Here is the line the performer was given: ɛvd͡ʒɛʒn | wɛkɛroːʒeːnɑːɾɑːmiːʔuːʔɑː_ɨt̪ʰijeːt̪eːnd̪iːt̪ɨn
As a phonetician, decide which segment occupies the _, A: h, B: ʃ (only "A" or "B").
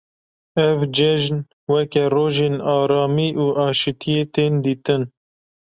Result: B